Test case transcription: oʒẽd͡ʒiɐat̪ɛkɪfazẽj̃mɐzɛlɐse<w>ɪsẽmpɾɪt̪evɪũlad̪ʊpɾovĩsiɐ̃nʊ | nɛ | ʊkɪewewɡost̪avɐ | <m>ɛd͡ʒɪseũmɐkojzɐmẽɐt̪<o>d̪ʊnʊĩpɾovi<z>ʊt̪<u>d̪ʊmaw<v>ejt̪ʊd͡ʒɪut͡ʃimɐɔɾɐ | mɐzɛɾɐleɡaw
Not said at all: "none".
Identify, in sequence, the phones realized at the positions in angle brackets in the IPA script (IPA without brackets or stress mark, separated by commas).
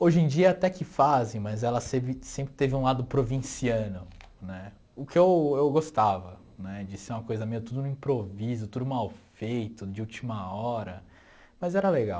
v, n, u, z, u, f